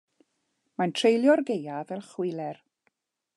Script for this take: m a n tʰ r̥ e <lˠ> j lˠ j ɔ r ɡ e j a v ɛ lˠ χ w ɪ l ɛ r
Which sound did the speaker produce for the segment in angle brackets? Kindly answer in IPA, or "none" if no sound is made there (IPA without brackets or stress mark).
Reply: none